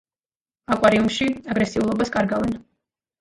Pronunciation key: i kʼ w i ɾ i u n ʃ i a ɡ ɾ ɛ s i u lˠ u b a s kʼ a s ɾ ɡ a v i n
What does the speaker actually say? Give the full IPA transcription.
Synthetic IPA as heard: a kʼ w a ɾ i u m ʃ i a ɡ ɾ ɛ s i u lˠ ɔ b a s kʼ a ɾ ɡ a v ɛ n